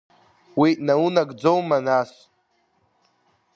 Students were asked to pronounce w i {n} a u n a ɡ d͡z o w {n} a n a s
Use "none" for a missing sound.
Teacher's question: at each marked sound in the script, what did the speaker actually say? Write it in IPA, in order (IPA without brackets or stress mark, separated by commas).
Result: n, m